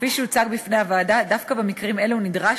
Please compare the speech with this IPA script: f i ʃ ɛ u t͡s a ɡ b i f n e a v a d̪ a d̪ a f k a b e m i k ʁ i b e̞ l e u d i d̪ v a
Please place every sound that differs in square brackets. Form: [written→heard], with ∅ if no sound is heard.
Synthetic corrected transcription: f i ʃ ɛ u t͡s a ɡ b i f n e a v a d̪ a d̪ a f k a b e m i k ʁ i [b→m] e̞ l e u [d→n] i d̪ [v→ʁ] a